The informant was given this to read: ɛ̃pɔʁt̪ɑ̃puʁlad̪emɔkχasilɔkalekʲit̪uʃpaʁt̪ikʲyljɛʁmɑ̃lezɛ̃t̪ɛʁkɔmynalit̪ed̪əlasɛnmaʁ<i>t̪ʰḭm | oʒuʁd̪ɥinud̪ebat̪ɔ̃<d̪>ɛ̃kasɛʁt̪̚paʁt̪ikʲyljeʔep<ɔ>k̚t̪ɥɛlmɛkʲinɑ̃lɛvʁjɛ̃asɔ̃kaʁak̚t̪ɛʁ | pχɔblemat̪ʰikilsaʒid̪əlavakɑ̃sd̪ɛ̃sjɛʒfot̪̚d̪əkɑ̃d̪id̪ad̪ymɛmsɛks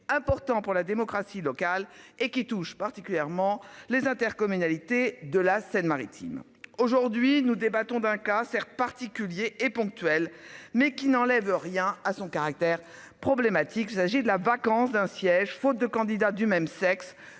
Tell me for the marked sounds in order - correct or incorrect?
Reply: correct, correct, incorrect

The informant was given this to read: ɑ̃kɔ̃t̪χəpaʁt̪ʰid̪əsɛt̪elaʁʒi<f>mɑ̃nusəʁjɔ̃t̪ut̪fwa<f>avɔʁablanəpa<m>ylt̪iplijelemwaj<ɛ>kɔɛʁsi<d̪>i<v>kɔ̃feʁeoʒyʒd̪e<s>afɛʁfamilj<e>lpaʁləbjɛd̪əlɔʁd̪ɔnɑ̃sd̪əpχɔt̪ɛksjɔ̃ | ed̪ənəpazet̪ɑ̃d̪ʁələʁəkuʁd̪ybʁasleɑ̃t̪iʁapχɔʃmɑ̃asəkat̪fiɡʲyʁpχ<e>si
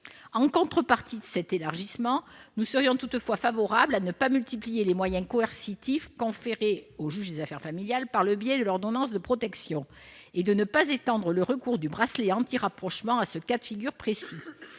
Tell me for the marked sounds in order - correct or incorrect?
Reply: incorrect, correct, correct, incorrect, incorrect, incorrect, incorrect, incorrect, correct

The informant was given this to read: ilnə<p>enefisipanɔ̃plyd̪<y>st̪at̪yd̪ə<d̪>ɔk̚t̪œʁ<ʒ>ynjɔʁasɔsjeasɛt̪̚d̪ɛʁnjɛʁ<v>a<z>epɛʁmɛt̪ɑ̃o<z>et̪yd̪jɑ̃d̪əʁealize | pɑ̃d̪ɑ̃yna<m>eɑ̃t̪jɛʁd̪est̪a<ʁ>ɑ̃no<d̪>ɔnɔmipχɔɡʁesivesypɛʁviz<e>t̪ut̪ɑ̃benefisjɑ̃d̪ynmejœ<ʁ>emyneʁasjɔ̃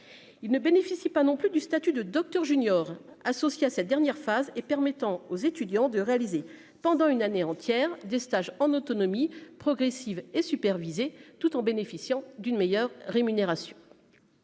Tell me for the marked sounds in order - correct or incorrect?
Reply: incorrect, correct, correct, correct, incorrect, correct, correct, incorrect, incorrect, incorrect, correct, incorrect

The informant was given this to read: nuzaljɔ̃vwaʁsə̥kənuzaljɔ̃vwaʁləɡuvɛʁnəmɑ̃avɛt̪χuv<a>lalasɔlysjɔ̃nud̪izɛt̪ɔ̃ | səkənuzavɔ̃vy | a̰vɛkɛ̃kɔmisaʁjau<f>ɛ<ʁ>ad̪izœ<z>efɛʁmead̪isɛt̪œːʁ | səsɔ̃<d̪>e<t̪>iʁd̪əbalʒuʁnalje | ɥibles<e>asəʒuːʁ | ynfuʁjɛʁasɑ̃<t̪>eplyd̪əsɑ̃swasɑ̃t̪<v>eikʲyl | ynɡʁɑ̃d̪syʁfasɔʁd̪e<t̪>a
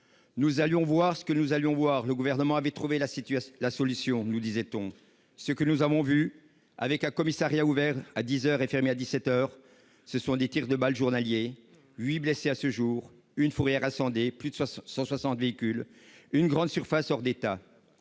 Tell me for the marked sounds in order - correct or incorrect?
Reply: incorrect, incorrect, correct, incorrect, correct, correct, correct, incorrect, correct, correct

